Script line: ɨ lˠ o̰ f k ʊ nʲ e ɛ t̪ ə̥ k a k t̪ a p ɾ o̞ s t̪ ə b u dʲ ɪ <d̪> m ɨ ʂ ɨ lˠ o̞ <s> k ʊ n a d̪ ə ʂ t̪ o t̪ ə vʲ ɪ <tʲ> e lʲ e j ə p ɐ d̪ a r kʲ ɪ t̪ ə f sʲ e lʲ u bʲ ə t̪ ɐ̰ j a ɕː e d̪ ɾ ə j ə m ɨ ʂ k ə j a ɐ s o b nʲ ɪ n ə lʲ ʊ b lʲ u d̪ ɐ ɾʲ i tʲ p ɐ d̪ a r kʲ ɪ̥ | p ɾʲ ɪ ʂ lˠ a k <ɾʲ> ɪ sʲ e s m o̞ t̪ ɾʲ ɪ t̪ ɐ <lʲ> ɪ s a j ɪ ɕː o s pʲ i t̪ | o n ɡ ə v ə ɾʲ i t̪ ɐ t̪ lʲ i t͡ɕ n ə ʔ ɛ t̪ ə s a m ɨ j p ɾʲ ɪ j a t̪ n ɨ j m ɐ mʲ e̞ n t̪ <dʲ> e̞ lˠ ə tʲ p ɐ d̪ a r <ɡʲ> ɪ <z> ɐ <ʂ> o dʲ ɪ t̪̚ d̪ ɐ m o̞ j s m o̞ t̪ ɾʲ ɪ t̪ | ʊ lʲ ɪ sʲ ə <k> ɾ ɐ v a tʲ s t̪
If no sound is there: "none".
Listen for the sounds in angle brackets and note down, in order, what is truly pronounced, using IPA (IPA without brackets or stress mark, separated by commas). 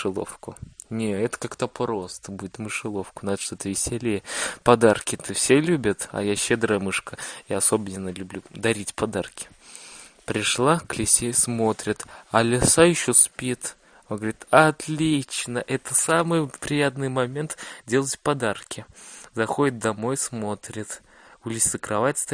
t̪, f, sʲ, lʲ, lʲ, dʲ, kʲ, z, x, k